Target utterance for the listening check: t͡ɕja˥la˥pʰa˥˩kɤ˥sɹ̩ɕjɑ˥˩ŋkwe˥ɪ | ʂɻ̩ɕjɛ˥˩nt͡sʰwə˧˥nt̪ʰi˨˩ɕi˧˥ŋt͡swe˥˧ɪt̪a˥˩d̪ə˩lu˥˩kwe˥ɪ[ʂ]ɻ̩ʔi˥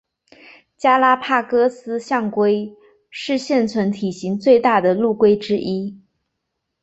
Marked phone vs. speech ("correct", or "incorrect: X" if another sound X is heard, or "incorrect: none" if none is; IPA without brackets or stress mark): incorrect: ʈ͡ʂ